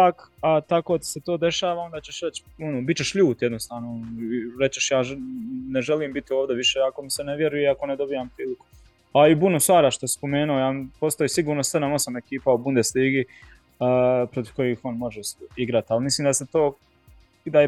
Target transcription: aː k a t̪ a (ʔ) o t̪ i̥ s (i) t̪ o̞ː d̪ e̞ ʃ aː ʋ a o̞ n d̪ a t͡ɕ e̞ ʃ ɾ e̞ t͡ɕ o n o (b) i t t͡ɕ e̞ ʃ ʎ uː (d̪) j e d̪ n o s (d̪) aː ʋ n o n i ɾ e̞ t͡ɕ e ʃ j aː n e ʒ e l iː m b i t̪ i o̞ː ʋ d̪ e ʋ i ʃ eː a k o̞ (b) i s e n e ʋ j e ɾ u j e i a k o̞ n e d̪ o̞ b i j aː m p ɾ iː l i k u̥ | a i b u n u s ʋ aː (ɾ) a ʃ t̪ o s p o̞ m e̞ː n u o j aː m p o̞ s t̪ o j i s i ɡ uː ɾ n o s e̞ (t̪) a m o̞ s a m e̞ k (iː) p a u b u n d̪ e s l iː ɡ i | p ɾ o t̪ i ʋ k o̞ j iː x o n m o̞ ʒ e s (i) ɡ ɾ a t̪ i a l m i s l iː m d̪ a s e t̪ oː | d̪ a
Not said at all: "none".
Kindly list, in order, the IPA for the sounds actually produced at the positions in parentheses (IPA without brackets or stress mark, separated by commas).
k, e, b, t̪, t̪, m, ɾ, d̪, iː, i